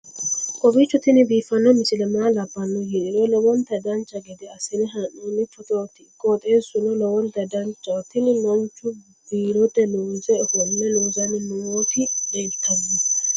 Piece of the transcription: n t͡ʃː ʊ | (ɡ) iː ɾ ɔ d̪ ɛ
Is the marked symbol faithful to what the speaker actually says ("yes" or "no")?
no